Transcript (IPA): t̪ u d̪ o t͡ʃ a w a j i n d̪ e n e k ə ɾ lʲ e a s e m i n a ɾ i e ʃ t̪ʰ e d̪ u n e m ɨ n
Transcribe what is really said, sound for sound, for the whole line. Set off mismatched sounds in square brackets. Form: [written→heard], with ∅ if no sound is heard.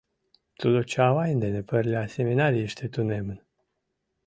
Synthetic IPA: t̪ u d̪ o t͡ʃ a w a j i n d̪ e n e [k→p] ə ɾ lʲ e a s e m i n a ɾ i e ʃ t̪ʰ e [d̪→t̪] u n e m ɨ n